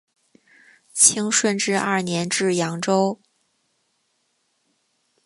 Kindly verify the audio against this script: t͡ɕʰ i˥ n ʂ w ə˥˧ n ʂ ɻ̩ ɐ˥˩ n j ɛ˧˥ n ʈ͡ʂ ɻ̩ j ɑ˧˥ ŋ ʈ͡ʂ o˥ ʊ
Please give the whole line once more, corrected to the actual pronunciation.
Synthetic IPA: t͡ɕʰ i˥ ŋ ʂ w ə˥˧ n ʈ͡ʂ ɻ̩ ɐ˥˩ n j ɛ˧˥ n ʈ͡ʂ ɻ̩ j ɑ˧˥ ŋ ʈ͡ʂ o˥ ʊ